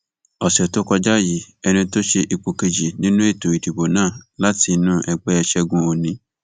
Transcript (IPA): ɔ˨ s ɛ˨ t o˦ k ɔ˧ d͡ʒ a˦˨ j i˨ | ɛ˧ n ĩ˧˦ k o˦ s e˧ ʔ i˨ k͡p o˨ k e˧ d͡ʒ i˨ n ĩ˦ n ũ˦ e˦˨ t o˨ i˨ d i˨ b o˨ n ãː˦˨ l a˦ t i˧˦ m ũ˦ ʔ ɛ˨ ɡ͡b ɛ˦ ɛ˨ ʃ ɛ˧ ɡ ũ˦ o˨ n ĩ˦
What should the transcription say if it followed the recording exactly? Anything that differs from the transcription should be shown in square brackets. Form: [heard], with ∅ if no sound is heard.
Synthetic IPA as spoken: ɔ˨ s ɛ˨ t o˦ k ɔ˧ d͡ʒ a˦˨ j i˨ | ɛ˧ n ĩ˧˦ [t] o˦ [ʃ] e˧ ʔ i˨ k͡p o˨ k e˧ d͡ʒ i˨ n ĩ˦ n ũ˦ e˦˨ t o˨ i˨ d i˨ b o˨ n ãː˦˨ l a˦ t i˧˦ [n] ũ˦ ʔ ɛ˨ ɡ͡b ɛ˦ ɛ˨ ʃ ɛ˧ ɡ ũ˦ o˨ n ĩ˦